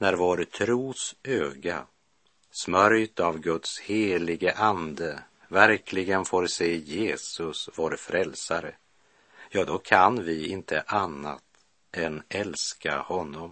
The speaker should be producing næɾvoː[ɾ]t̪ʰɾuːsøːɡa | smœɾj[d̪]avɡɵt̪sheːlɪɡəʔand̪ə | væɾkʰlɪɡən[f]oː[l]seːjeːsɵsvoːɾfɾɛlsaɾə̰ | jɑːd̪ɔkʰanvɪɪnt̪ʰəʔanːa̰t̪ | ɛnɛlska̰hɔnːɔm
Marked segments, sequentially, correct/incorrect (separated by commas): correct, incorrect, correct, incorrect